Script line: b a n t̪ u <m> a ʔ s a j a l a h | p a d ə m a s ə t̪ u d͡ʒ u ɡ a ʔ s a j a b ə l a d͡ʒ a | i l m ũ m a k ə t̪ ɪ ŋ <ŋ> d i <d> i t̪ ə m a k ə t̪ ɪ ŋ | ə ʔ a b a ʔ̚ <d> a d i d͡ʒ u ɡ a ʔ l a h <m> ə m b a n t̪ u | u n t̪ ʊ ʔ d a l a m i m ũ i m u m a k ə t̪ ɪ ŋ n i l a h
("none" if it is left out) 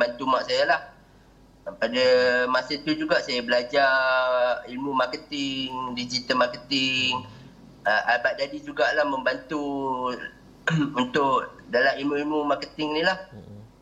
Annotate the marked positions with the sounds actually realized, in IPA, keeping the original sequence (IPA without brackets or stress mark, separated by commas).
m, ŋ, d͡ʒ, d, m